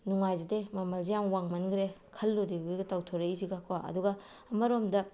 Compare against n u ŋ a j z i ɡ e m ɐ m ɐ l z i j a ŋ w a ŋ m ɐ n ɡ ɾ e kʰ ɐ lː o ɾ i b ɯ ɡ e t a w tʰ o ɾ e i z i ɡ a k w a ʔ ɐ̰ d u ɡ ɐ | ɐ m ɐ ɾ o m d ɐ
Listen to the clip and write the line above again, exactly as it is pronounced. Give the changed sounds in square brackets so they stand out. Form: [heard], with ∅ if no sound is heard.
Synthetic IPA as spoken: n u ŋ a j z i [d] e m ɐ m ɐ l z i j a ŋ w a ŋ m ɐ n ɡ ɾ e kʰ ɐ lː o ɾ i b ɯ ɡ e t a w tʰ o ɾ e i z i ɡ a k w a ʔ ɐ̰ d u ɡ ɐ | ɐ m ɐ ɾ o m d ɐ